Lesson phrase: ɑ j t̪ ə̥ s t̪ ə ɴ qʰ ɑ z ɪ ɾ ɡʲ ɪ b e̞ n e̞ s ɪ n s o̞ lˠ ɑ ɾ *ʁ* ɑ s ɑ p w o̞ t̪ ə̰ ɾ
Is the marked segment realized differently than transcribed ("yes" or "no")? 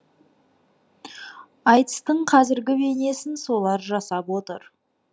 yes